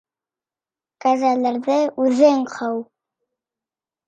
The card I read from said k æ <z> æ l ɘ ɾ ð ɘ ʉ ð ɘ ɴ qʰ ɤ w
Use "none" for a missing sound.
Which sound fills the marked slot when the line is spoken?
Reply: z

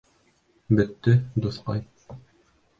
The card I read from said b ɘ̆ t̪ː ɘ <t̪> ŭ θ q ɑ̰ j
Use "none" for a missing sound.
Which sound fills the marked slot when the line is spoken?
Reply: d̪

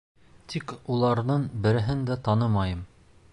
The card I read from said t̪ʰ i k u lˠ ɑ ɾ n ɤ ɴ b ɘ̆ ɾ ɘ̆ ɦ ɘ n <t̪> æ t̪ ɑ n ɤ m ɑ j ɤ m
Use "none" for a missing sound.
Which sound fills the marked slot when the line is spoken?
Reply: d̪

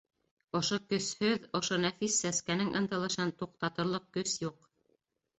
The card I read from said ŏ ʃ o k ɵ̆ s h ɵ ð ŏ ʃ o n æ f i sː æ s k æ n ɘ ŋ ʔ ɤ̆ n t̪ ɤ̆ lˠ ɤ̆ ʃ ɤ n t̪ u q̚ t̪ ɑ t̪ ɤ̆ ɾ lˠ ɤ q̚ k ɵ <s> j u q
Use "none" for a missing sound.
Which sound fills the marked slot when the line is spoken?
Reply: s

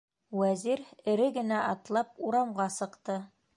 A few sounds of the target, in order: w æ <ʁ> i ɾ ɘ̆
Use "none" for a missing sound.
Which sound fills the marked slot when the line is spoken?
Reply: z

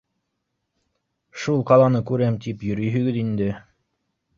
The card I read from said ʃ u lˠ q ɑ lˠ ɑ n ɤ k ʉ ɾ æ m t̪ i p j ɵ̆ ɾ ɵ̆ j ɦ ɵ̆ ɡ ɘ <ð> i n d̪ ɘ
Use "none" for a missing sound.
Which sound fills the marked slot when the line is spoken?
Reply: ð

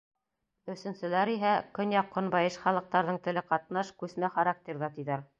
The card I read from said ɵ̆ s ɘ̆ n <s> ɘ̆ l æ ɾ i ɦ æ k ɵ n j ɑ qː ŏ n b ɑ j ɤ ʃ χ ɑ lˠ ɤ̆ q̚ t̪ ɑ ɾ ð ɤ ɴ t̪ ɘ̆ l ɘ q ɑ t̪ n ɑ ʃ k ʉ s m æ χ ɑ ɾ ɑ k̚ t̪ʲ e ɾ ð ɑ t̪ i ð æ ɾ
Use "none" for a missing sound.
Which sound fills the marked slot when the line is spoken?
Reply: s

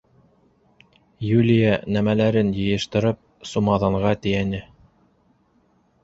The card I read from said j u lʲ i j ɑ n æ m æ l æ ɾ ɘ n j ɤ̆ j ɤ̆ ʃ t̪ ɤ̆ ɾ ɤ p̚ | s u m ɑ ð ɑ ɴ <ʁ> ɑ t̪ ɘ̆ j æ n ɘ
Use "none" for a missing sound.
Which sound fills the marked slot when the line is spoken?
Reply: ʁ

